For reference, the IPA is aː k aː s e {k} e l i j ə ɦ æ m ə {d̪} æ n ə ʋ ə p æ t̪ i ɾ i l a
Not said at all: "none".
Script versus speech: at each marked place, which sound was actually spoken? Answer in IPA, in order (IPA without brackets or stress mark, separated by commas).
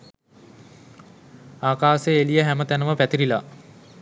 none, t̪